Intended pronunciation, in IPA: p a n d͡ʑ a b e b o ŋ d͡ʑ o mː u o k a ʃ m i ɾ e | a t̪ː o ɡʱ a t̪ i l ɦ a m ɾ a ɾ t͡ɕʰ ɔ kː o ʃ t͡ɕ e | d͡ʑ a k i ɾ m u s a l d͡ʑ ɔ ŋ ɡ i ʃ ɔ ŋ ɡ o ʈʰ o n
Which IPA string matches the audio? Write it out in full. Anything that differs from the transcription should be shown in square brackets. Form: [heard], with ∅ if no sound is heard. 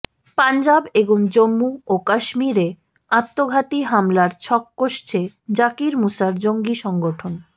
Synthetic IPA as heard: p a n d͡ʑ a b e b o ŋ d͡ʑ o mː u o k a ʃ m i ɾ e | a t̪ː o ɡʱ a t̪ i [∅] ɦ a m [l] a ɾ t͡ɕʰ ɔ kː o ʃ [t͡ɕʰ] e | d͡ʑ a k i ɾ m u s a [ɾ] d͡ʑ [o] ŋ ɡ i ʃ ɔ ŋ ɡ o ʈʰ o n